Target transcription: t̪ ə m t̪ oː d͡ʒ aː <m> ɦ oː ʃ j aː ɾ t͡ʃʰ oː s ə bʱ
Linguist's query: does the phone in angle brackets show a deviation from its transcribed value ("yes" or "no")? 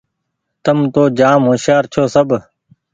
no